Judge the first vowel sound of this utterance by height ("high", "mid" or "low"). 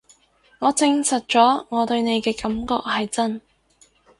mid